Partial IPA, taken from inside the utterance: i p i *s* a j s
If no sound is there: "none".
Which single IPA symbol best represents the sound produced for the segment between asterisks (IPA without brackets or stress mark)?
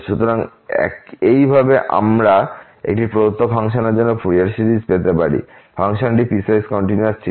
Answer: s